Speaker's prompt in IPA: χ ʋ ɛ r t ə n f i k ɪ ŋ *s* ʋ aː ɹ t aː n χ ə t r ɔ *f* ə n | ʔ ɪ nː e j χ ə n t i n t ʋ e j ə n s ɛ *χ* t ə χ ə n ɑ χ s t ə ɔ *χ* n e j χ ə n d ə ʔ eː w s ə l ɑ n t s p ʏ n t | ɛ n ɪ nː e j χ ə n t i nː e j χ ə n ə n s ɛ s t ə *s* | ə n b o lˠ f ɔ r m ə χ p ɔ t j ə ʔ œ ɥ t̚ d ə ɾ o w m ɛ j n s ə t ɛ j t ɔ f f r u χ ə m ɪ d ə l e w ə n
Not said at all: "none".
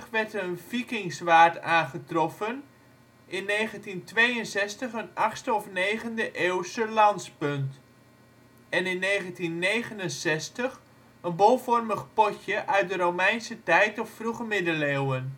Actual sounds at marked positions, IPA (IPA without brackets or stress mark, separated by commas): s, f, s, f, χ